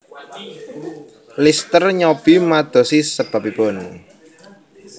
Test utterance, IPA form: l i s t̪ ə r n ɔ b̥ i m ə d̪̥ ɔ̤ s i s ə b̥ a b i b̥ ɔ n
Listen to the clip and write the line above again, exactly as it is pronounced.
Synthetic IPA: l i s t̪ ə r ɲ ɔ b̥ i m a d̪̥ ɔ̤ s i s ə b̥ a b i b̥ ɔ n